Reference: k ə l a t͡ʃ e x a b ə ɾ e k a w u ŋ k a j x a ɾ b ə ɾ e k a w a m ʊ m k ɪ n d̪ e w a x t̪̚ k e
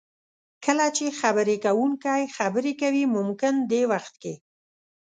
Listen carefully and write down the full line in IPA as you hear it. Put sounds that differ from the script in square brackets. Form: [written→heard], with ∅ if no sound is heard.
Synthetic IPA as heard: k ə l a t͡ʃ e x a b ə ɾ e k a w u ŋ k a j x a [ɾ→∅] b ə ɾ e k a w [a→i] m ʊ m k ɪ n d̪ e w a x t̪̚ k e